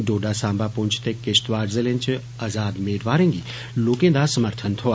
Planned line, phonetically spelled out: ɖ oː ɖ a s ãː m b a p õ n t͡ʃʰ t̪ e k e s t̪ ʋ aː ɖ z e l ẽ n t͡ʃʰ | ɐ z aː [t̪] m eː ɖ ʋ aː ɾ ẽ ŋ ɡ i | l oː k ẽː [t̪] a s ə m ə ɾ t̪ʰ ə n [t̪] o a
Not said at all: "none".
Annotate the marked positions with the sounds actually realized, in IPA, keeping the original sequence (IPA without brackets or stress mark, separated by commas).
d̪, d̪, t̪ʰ